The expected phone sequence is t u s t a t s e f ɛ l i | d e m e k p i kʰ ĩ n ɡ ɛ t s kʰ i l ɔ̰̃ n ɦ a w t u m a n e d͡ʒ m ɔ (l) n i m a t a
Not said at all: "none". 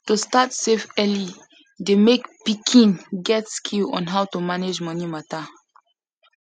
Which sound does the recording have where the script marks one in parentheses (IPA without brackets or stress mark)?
none